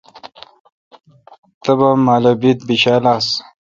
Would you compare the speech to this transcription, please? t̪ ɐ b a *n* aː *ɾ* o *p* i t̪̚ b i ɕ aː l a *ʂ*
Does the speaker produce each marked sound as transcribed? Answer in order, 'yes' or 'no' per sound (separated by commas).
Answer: no, no, no, no